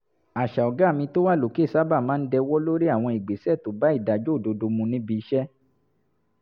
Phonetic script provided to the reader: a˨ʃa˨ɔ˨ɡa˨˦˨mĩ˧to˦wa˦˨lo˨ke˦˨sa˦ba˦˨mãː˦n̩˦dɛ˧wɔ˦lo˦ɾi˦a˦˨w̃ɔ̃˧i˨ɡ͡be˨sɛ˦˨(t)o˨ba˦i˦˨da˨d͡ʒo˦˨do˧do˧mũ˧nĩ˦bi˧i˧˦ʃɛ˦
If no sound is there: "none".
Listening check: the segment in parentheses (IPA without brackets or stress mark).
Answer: t